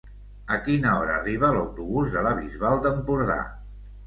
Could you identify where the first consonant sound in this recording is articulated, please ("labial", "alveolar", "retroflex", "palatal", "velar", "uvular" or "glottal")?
velar